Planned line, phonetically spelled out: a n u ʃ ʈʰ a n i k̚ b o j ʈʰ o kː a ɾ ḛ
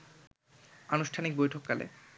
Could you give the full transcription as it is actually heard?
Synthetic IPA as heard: a n u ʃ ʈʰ a n i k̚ b o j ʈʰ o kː a l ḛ